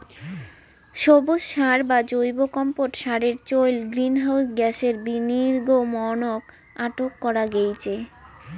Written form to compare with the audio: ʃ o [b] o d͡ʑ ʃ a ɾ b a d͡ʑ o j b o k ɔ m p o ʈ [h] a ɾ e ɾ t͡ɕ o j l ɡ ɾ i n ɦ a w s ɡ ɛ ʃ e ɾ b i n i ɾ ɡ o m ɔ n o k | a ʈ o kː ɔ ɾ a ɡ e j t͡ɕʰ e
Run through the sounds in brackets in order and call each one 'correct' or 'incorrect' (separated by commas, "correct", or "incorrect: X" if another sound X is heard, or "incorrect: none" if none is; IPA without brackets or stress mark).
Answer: correct, incorrect: ʃ